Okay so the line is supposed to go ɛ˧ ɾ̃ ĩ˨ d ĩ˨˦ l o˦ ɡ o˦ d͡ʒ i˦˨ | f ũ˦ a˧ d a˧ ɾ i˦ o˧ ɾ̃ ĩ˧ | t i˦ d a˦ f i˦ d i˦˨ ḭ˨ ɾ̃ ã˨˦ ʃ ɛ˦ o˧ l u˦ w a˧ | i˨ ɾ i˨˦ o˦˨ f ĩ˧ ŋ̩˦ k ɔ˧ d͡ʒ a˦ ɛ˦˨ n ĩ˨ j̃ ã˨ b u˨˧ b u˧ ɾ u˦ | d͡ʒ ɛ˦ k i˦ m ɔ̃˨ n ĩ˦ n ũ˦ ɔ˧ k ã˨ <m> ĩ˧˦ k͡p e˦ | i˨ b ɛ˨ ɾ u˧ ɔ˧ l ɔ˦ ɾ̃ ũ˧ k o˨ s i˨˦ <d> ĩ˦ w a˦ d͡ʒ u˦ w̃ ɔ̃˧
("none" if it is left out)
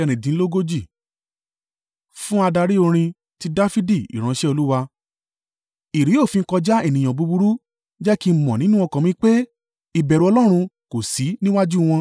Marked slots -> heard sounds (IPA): m, n

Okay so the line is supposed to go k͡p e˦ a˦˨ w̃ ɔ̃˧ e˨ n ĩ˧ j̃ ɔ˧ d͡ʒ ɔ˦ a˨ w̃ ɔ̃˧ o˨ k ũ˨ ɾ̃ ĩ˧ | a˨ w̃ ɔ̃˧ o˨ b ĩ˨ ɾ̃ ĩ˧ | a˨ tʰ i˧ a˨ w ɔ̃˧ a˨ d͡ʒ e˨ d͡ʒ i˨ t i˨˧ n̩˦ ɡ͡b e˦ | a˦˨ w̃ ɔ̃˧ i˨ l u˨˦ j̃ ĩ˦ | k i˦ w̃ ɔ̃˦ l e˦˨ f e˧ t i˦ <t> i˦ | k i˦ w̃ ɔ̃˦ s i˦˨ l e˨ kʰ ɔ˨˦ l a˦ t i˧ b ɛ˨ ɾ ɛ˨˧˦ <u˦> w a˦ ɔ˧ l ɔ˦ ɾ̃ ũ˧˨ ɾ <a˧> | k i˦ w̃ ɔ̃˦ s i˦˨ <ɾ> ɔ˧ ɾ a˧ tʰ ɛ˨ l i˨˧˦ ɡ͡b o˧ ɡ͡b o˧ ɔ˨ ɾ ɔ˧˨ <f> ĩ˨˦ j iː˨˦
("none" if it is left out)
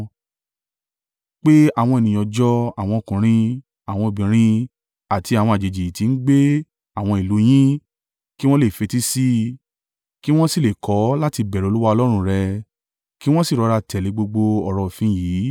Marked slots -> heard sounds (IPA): s, u˦, ɛ˧, ɾ, f

